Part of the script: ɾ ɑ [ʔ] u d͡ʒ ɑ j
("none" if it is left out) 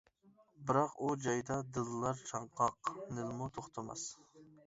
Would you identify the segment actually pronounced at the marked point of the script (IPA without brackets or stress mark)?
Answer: q